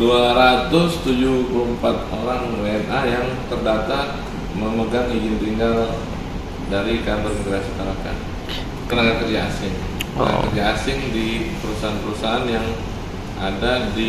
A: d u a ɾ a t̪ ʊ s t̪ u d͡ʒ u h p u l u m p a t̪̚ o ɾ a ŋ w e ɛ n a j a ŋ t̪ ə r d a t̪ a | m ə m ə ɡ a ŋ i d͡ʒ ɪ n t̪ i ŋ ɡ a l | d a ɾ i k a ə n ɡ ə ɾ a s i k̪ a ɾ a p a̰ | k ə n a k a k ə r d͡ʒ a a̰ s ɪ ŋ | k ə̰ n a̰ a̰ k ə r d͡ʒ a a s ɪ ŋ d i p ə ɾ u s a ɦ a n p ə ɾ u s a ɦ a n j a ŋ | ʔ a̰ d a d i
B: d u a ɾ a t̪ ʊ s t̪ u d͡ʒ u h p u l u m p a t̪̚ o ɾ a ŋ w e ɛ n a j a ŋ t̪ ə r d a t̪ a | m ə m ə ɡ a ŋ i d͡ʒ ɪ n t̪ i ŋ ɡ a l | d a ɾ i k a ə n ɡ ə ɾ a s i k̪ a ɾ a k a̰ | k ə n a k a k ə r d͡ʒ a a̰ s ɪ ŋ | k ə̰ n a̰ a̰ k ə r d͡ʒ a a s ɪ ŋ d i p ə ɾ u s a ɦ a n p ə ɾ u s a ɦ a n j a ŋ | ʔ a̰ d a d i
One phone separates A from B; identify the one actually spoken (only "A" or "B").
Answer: B